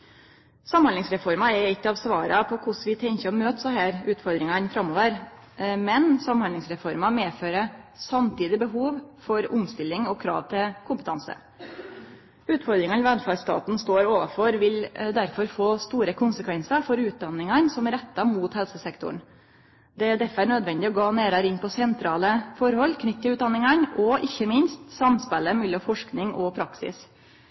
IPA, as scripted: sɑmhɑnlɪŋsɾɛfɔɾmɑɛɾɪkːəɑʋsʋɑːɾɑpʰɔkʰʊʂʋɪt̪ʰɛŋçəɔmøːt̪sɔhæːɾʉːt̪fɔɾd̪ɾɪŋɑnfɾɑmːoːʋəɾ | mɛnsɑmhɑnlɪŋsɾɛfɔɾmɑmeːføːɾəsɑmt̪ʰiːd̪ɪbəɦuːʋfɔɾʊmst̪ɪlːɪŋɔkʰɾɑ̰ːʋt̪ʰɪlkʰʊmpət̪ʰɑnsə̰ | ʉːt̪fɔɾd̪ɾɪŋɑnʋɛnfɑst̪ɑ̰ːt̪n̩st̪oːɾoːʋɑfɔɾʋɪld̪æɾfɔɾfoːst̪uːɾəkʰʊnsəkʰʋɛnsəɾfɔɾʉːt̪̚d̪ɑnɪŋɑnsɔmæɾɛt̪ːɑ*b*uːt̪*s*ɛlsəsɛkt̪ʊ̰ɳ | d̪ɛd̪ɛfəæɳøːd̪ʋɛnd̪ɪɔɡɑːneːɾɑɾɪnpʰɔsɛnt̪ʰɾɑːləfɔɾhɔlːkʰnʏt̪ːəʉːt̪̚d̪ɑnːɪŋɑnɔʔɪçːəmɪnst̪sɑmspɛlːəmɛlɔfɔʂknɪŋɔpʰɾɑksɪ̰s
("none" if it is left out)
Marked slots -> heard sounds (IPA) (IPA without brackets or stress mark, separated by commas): m, h